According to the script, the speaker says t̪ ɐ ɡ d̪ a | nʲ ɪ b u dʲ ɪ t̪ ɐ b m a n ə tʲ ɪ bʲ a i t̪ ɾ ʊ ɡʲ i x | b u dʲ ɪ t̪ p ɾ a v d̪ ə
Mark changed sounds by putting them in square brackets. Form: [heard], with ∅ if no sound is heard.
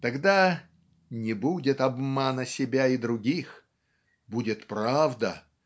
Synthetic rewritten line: t̪ ɐ ɡ d̪ a | nʲ ɪ b u dʲ ɪ t̪ ɐ b m a n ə [sʲ] ɪ bʲ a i [d̪] ɾ ʊ ɡʲ i x | b u dʲ ɪ t̪ p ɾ a v d̪ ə